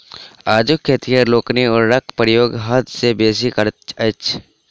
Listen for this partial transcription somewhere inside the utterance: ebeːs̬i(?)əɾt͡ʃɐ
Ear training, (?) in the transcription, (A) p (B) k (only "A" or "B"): B